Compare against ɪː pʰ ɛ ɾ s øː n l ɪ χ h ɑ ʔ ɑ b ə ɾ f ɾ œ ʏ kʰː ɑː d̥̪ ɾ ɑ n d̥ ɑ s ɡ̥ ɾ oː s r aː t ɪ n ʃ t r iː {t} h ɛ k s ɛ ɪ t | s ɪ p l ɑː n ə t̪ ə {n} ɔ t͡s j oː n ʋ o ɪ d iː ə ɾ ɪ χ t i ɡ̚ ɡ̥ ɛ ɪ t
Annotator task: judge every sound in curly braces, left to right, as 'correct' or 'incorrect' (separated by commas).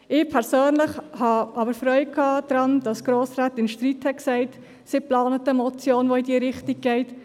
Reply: correct, incorrect